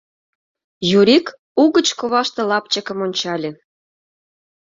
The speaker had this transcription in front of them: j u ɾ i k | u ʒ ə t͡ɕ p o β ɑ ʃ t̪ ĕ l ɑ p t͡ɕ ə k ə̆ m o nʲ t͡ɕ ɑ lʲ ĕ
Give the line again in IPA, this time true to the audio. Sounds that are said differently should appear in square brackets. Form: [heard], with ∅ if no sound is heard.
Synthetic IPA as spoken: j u ɾ i k | u [ɣ] ə t͡ɕ [k] o β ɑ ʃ t̪ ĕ l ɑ p t͡ɕ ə k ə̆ m o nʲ t͡ɕ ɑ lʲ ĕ